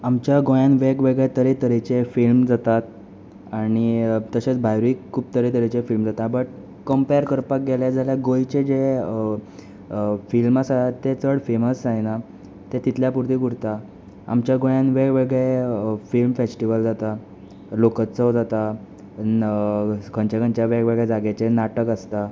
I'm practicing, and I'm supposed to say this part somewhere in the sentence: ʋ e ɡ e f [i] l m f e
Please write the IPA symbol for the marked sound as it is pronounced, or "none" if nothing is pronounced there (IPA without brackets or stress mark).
i